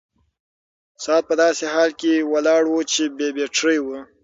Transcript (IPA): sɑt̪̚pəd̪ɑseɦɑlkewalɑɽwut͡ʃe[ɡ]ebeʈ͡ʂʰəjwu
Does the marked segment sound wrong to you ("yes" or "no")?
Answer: yes